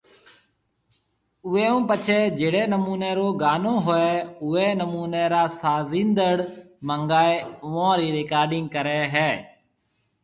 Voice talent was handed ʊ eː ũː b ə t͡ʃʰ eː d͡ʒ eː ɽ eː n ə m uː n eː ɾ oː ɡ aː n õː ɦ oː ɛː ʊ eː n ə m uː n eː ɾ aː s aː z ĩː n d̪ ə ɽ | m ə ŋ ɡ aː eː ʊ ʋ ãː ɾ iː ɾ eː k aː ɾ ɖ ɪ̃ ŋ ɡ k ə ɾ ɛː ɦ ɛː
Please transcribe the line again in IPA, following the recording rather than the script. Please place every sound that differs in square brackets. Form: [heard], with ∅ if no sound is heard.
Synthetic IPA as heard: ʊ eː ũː [p] ə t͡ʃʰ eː d͡ʒ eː ɽ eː n ə m uː n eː ɾ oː ɡ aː n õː ɦ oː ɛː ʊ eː n ə m uː n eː ɾ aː s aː z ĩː n d̪ ə ɽ | m ə ŋ ɡ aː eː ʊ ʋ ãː ɾ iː ɾ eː k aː ɾ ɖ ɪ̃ ŋ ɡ k ə ɾ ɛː ɦ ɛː